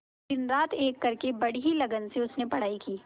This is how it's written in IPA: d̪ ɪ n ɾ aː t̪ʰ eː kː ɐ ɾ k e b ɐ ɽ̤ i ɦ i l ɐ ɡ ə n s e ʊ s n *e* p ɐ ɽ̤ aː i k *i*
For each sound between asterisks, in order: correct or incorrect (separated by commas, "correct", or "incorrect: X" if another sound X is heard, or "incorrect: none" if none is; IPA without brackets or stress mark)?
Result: correct, incorrect: iː